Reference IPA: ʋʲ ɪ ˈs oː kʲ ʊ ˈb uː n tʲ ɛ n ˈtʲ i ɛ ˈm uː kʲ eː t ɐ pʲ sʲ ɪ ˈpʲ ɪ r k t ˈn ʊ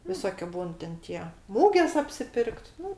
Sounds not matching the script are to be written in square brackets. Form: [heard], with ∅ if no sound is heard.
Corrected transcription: ʋʲ ɪ ˈs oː kʲ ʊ ˈb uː n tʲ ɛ n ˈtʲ i ɛ ˈm uː [ɡʲ] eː [s] ɐ pʲ sʲ ɪ ˈpʲ ɪ r k t ˈn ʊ